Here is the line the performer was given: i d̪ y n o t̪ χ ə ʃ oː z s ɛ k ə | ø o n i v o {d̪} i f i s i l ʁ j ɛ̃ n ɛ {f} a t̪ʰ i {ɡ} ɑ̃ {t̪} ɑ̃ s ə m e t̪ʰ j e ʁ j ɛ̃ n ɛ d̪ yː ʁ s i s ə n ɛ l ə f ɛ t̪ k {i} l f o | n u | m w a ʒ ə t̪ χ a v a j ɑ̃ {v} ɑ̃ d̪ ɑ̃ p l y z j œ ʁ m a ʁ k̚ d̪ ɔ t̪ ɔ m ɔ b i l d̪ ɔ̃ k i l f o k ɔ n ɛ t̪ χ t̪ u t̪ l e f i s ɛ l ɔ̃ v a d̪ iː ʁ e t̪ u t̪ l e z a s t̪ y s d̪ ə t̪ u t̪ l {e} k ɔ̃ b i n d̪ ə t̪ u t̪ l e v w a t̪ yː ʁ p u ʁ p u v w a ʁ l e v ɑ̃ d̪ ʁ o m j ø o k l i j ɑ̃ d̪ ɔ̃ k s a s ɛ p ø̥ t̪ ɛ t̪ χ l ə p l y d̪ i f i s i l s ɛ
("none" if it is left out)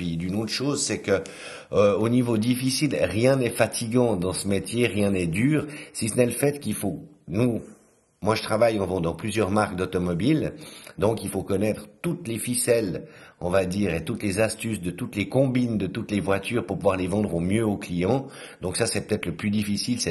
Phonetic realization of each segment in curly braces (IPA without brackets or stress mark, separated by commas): d̪, f, ɡ, d̪, i, v, e